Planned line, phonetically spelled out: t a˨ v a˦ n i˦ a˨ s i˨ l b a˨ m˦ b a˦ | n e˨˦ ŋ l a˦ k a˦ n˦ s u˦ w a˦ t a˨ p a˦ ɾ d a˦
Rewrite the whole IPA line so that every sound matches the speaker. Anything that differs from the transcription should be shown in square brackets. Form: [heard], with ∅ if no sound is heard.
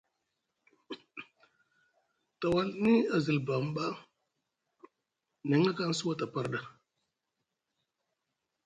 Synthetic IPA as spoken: t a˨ [w] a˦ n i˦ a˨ [z] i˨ l b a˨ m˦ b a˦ | n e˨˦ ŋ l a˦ k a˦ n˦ s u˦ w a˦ t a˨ p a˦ ɾ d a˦